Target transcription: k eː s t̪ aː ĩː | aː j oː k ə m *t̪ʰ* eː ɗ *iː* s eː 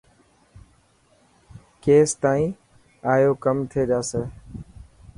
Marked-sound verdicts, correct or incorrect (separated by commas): correct, incorrect